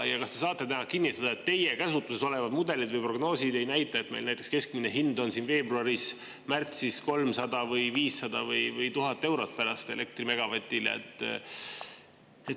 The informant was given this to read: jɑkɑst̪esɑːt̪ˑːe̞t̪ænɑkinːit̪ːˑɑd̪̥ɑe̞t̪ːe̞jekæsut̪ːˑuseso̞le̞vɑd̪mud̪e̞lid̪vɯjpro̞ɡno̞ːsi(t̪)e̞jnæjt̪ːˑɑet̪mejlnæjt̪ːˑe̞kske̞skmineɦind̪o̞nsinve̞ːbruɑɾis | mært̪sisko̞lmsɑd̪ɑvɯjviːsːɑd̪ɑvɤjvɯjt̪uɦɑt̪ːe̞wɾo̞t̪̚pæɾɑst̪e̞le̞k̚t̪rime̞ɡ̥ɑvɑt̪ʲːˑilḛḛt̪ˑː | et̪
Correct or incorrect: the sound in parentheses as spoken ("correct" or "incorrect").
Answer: incorrect